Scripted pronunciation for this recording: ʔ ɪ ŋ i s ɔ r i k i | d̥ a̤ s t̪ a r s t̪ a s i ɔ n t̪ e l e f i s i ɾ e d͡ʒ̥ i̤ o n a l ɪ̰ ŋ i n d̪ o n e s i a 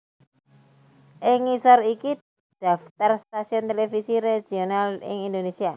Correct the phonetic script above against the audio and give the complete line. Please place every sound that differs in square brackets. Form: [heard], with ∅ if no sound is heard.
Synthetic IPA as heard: ʔ ɪ ŋ i s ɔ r i k i | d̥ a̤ [f] t̪ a r s t̪ a s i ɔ n t̪ e l e f i s i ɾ e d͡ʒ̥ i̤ o n a l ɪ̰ ŋ i n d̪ o n e s i a